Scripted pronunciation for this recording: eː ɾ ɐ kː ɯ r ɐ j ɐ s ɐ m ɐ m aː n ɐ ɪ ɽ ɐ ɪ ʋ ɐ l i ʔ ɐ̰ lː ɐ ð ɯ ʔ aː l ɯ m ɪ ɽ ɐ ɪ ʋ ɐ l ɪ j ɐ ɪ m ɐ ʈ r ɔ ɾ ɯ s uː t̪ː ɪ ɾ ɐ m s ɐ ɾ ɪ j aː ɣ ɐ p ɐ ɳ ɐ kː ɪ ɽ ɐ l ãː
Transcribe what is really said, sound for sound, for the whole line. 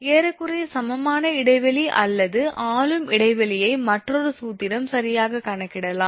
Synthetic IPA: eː ɾ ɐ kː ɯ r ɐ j ɐ s ɐ m ɐ m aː n ɐ ɪ ɽ ɐ ɪ ʋ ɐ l i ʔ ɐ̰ lː ɐ ð ɯ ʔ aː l ɯ m ɪ ɽ ɐ ɪ ʋ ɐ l ɪ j ɐ ɪ m ɐ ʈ r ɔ ɾ ɯ s uː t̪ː ɪ ɾ ɐ m s ɐ ɾ ɪ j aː ɣ ɐ k ɐ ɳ ɐ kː ɪ ɽ ɐ l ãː